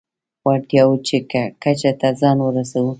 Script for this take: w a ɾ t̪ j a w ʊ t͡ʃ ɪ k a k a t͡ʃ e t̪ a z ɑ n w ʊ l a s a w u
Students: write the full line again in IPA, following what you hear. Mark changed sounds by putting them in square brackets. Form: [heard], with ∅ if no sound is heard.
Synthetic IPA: w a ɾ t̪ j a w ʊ t͡ʃ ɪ k a k a t͡ʃ [a] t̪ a z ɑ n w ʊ [ɾ] a s a w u

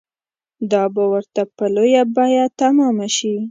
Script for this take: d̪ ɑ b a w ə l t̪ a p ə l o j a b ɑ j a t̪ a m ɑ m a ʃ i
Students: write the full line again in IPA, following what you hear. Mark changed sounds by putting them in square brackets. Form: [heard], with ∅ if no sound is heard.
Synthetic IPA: d̪ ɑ b a w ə [ɾ] t̪ a p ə l o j a b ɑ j a t̪ a m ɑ m a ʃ i

